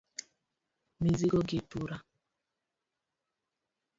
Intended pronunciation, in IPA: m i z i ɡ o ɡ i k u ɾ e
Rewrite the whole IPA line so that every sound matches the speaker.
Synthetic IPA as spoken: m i z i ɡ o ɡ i t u ɾ a